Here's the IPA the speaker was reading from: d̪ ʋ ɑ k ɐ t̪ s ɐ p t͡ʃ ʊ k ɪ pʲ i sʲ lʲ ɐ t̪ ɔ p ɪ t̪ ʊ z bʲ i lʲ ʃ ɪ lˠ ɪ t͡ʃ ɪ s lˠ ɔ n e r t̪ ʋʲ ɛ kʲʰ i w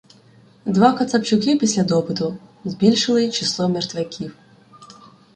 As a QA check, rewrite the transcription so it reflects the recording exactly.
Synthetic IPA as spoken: d̪ ʋ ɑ k ɐ t̪ s ɐ p t͡ʃ ʊ k ɪ pʲ i sʲ lʲ ɐ d̪ ɔ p ɪ t̪ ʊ z bʲ i lʲ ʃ ɪ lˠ ɪ t͡ʃ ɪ s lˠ ɔ m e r t̪ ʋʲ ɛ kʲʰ i w